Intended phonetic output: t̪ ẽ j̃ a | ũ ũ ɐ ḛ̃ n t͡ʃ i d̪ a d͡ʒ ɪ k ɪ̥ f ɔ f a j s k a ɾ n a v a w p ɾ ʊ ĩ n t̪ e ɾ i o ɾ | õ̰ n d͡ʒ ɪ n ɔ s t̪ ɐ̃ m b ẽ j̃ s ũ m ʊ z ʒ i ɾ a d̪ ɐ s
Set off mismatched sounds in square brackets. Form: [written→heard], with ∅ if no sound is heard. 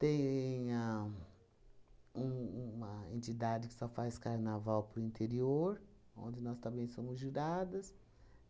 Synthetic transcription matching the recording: t̪ ẽ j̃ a | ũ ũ ɐ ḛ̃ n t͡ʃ i d̪ a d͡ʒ ɪ k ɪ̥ [f→s] ɔ f a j s k a ɾ n a v a w p ɾ ʊ ĩ n t̪ e ɾ i o ɾ | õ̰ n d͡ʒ ɪ n ɔ s t̪ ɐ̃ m b ẽ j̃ s [ũ→õ] m ʊ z ʒ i ɾ a d̪ ɐ s